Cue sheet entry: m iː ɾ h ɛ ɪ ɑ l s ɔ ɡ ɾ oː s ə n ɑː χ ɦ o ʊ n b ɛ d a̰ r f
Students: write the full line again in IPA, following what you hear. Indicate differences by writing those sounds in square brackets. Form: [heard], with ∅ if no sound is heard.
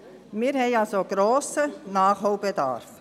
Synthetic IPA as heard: m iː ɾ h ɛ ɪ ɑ l s [o] ɡ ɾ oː s ə n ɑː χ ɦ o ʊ [∅] b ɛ d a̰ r f